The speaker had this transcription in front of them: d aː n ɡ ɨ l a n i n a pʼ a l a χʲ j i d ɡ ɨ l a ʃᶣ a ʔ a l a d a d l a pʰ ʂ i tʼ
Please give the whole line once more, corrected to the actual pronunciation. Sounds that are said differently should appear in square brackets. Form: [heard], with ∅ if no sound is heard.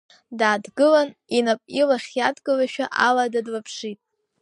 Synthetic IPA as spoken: d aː [d] ɡ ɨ l a n i n a pʼ [i] l a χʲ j [a] d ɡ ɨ l a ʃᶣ a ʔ a l a d a d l a pʰ ʂ i tʼ